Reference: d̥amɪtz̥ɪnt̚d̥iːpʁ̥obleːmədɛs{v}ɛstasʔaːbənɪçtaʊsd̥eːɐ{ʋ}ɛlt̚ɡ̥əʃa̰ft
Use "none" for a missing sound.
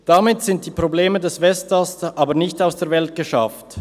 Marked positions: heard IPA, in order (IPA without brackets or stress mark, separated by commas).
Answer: v, v